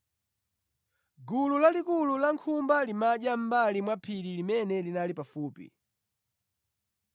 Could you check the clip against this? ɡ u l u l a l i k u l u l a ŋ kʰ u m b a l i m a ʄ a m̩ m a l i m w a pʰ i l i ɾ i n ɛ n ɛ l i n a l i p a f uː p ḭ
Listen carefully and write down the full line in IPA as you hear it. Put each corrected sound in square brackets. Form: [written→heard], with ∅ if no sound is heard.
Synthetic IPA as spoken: ɡ u l u l a l i k u l u l a ŋ kʰ u m b a l i m a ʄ a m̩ [m→b] a l i m w a pʰ i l i [ɾ→l] i [n→m] ɛ n ɛ l i n a l i p a f uː p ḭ